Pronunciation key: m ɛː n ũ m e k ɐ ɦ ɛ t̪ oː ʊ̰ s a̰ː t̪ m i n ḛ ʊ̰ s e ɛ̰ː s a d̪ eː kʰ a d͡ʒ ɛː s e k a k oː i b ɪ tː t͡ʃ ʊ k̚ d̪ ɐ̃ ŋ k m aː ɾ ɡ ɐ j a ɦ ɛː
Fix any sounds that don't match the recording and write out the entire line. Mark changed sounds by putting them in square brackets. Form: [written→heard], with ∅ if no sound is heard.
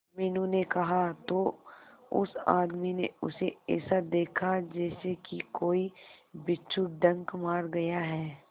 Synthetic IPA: m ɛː n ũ [m→n] e k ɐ ɦ [ɛ→a] t̪ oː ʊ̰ s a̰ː [t̪→d̪] m i n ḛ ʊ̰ s e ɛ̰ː s a d̪ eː kʰ a d͡ʒ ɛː s e k [a→i] k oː i b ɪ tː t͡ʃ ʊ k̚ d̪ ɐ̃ ŋ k m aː ɾ ɡ ɐ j a ɦ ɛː

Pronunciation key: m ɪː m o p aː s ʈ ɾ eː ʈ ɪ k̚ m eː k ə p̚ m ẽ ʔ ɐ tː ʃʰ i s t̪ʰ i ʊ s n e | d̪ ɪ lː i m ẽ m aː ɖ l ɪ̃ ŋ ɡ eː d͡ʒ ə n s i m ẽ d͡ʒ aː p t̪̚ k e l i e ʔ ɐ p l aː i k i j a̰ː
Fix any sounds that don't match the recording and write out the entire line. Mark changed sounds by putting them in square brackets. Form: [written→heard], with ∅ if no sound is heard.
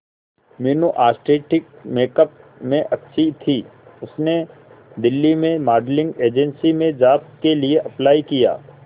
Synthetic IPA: m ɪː [m→n] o [p→ʔ] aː s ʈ ɾ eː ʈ ɪ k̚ m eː k ə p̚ m ẽ ʔ ɐ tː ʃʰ i [s→∅] t̪ʰ i ʊ s n e | d̪ ɪ lː i m ẽ m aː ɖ l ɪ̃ ŋ ɡ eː d͡ʒ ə n s i m ẽ d͡ʒ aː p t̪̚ k e l i e ʔ ɐ p l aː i k i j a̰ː

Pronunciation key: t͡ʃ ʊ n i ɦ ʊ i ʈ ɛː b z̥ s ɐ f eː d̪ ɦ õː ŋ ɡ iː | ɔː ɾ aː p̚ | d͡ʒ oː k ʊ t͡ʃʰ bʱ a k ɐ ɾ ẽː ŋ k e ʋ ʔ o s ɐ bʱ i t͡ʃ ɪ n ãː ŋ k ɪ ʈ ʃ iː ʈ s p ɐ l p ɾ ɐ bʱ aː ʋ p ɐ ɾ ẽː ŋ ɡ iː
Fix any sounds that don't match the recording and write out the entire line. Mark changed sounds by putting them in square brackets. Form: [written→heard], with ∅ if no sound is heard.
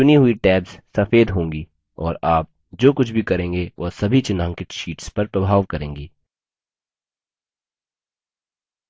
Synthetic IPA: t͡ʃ ʊ n i ɦ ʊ i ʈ ɛː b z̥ s ɐ f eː d̪ ɦ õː ŋ ɡ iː | ɔː ɾ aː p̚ | d͡ʒ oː k ʊ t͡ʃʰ bʱ [a→i] k ɐ ɾ ẽː ŋ [k→ɡ] e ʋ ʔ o s ɐ bʱ i t͡ʃ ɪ n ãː ŋ k ɪ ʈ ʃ iː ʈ s p ɐ [l→ɾ] p ɾ ɐ bʱ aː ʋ [p→k] ɐ ɾ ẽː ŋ ɡ iː

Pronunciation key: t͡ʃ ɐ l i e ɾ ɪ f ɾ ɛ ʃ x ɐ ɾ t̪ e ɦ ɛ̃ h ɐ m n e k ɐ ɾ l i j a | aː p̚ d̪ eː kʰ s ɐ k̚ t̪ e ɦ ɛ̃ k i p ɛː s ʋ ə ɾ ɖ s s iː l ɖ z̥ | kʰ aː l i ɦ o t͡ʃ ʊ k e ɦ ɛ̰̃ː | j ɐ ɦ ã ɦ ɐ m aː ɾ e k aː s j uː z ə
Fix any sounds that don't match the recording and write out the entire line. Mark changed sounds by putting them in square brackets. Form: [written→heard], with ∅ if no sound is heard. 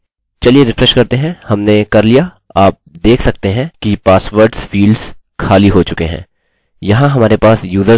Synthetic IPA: t͡ʃ ɐ l i e ɾ ɪ f ɾ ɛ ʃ [x→k] ɐ ɾ t̪ e ɦ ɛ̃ h ɐ m n e k ɐ ɾ l i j a | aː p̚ d̪ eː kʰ s ɐ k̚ t̪ e ɦ ɛ̃ k i p [ɛː→aː] s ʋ ə ɾ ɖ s [s→f] iː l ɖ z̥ | kʰ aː l i ɦ o t͡ʃ ʊ k e ɦ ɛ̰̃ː | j ɐ ɦ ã ɦ ɐ m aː ɾ e [k→p] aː s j uː z ə

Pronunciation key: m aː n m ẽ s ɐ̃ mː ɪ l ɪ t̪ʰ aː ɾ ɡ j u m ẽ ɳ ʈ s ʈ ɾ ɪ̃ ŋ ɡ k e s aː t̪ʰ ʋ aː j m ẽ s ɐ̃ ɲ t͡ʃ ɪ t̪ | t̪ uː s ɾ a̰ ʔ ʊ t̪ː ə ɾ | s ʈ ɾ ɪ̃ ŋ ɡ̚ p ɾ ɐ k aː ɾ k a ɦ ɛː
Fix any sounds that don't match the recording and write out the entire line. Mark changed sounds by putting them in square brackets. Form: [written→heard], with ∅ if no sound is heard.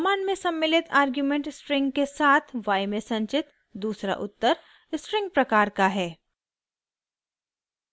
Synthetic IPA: m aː n m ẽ s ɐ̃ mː ɪ l ɪ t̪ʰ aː ɾ ɡ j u m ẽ ɳ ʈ s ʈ ɾ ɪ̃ ŋ ɡ k e s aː t̪ʰ ʋ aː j m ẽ s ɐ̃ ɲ t͡ʃ ɪ t̪ | [t̪→d̪] uː s ɾ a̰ ʔ ʊ t̪ː ə ɾ | s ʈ ɾ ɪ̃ ŋ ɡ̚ p ɾ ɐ k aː ɾ k a ɦ ɛː

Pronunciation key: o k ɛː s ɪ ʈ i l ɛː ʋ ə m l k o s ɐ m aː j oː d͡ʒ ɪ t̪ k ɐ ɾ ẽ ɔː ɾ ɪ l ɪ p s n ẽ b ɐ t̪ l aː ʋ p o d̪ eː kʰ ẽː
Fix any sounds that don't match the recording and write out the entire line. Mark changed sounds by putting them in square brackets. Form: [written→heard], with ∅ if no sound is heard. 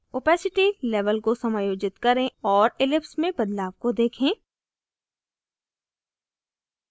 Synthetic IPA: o [k→p] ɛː s ɪ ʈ i l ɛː ʋ ə [m→∅] l k o s ɐ m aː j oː d͡ʒ ɪ t̪ k ɐ ɾ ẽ ɔː ɾ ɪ l ɪ p s [n→m] ẽ b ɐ [t̪→d̪] l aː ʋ [p→k] o d̪ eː kʰ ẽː

